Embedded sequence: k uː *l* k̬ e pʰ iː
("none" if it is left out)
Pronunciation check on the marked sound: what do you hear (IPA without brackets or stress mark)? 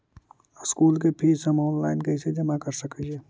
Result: l